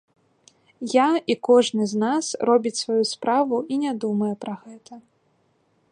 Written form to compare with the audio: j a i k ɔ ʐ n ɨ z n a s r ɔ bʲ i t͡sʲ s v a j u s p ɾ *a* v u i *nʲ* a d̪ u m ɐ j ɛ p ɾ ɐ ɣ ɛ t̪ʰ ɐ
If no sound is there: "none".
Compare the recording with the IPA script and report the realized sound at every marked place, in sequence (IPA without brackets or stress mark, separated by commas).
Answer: a, nʲ